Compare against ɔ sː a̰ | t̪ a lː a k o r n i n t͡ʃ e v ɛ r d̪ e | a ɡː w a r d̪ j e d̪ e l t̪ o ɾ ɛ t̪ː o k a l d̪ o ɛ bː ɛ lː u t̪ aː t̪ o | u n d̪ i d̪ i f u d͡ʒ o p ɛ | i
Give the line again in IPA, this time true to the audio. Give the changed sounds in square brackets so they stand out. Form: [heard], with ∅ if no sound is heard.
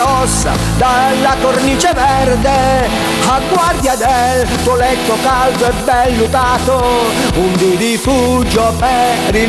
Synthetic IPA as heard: ɔ sː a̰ | [d̪] a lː a k o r n i [∅] t͡ʃ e v ɛ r d̪ e | a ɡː w a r d̪ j [a] d̪ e l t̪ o [l] ɛ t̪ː o k a l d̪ o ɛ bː ɛ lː u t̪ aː t̪ o | u n d̪ i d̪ i f u d͡ʒ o p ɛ | i